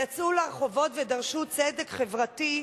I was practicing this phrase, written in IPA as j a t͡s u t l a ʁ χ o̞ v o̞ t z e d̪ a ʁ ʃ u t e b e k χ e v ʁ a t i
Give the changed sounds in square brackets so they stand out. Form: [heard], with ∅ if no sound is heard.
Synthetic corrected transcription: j a t͡s u [∅] l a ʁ χ o̞ v o̞ t [v] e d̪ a ʁ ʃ u [t͡s] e [d] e k χ e v ʁ a t i